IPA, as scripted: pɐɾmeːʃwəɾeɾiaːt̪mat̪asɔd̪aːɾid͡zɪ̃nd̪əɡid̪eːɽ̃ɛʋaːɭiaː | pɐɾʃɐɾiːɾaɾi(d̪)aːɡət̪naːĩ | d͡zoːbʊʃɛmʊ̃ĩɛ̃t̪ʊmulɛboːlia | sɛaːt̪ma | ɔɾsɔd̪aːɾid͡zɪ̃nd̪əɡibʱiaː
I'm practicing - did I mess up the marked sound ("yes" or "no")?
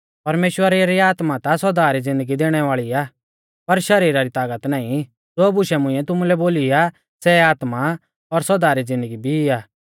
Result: yes